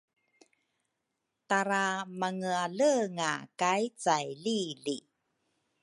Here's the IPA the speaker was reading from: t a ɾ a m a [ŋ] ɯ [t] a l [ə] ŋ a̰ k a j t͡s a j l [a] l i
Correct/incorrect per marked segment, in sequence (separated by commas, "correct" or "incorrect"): correct, incorrect, correct, incorrect